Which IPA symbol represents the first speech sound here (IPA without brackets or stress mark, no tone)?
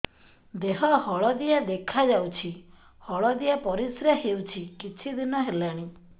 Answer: d̪